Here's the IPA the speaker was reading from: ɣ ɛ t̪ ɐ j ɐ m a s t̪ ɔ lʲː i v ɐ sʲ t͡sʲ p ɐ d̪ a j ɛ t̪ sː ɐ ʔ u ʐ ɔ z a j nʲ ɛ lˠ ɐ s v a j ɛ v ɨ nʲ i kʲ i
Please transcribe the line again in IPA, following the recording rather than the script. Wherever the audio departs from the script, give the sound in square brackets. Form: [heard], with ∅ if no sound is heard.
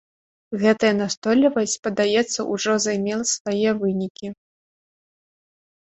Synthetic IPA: ɣ ɛ t̪ ɐ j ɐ [n] a s t̪ ɔ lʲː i v ɐ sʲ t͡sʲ p ɐ d̪ a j ɛ t̪ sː ɐ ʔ u ʐ ɔ z a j [mʲ] ɛ lˠ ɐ s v a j ɛ v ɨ nʲ i kʲ i